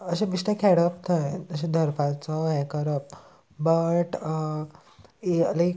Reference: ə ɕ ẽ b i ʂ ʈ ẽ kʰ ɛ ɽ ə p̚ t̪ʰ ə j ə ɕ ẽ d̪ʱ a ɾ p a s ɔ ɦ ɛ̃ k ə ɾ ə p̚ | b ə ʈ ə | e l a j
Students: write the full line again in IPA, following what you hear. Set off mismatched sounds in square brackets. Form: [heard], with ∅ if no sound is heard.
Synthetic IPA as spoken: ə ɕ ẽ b i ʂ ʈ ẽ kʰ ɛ ɽ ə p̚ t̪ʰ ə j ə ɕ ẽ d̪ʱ [ə] ɾ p a [t͡s] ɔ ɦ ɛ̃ k ə ɾ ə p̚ | b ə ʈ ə | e l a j